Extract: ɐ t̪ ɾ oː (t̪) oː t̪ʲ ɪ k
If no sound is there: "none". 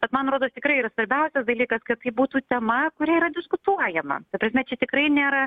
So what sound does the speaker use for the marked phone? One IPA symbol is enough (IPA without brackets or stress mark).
d̪